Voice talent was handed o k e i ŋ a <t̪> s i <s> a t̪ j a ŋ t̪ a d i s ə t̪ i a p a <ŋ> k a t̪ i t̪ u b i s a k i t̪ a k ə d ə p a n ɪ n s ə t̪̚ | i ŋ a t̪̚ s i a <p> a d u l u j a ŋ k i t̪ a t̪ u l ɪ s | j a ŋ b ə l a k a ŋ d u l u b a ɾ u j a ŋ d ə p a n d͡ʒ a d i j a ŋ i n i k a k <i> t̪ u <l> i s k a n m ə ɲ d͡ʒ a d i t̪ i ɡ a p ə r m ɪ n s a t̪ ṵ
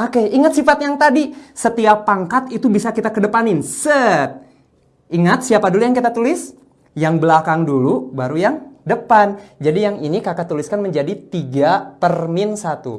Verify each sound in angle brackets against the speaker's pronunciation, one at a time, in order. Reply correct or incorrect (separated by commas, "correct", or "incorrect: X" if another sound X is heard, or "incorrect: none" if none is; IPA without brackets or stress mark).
correct, incorrect: f, correct, correct, incorrect: a, correct